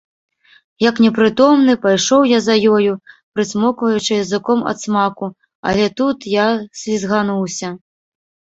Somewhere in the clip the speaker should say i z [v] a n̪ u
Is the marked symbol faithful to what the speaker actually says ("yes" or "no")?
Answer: no